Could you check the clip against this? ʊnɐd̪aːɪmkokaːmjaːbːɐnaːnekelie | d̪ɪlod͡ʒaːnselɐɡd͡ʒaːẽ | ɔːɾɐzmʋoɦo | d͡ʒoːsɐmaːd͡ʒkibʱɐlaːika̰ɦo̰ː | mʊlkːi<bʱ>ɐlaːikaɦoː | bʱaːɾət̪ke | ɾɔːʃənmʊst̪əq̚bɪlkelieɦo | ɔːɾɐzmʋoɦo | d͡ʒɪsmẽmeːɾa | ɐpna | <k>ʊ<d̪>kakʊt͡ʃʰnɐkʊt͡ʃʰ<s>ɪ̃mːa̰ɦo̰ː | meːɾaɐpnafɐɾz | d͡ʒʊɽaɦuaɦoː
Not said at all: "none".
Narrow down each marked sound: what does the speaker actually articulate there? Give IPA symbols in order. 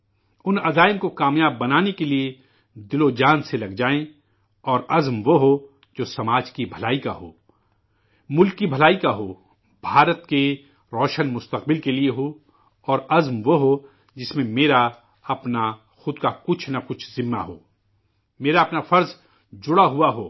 bʱ, x, d̪, z

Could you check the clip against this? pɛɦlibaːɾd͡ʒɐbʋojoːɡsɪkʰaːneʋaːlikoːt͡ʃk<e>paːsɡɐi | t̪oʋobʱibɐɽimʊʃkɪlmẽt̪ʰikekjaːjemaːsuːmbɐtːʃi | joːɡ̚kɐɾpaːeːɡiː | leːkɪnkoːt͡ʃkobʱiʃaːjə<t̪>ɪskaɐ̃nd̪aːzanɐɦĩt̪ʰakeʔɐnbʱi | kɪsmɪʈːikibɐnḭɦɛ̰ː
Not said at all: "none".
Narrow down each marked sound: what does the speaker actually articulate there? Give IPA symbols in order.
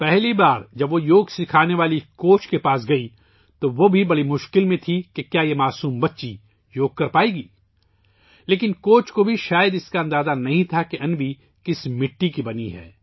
e, d̪

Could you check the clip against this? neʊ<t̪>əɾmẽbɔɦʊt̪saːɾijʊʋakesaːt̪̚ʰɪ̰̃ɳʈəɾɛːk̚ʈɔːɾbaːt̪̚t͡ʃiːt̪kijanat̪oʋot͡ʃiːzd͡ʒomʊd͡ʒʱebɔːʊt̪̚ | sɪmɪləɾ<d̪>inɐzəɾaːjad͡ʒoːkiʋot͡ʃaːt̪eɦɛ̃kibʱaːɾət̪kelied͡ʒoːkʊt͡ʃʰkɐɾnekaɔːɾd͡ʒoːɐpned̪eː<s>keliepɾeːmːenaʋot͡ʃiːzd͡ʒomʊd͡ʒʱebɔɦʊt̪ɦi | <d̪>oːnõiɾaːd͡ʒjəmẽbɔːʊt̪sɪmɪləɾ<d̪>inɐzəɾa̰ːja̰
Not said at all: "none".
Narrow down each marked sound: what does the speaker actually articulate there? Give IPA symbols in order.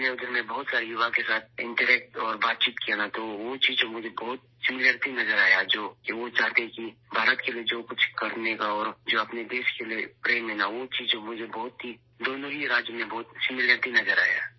d̪, t̪, ʃ, d̪, t̪

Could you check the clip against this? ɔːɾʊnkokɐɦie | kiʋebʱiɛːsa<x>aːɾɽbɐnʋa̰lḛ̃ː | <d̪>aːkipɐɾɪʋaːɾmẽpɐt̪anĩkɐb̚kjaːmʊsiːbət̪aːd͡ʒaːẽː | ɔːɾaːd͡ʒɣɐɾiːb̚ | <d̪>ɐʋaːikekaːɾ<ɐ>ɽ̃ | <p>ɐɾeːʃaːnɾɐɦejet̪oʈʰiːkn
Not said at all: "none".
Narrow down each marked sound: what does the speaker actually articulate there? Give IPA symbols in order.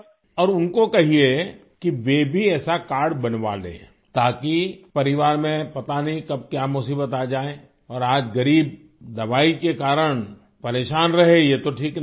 k, t̪, d̪, ə, p

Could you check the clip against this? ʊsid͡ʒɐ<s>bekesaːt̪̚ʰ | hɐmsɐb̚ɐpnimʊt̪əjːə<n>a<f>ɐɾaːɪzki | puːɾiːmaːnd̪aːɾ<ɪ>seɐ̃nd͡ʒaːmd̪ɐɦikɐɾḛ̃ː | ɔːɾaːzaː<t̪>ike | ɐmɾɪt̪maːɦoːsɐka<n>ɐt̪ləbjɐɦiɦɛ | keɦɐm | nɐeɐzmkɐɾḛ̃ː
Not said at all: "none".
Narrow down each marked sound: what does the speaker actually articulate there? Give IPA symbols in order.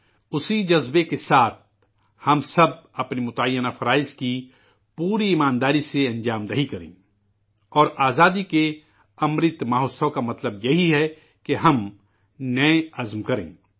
z, n, f, i, d̪, m

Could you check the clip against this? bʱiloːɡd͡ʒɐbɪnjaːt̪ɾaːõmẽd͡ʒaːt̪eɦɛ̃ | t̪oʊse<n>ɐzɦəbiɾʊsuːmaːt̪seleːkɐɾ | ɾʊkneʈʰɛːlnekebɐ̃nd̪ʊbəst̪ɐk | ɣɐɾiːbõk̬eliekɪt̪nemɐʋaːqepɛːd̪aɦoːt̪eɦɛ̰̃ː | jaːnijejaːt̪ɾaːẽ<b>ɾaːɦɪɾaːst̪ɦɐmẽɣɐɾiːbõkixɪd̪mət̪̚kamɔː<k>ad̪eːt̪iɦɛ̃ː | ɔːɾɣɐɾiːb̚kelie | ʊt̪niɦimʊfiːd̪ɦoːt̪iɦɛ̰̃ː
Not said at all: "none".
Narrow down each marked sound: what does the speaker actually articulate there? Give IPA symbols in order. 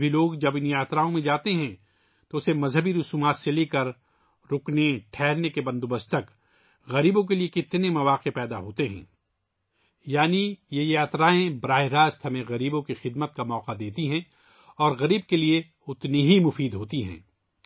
m, b, q

